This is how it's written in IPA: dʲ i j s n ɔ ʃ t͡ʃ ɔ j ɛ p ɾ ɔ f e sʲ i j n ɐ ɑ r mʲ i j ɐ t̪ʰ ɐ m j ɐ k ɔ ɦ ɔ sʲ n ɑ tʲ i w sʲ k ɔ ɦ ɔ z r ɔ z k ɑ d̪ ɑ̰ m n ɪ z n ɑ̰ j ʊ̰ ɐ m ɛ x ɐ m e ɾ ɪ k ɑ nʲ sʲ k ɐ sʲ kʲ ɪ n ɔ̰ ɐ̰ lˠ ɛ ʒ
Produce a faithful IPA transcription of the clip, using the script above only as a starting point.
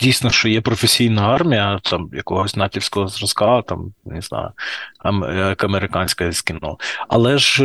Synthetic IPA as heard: dʲ i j s n ɔ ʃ t͡ʃ ɔ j ɛ p ɾ ɔ f e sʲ i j n ɐ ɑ r mʲ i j ɐ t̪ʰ ɑ m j ɐ k ɔ ɦ ɔ sʲ n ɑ tʲ i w sʲ k ɔ ɦ ɔ z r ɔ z k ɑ t̪ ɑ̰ m n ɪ z n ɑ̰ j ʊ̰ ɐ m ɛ k ɐ m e ɾ ɪ k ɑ nʲ sʲ k ɐ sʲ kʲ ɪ n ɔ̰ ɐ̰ lˠ ɛ ʒ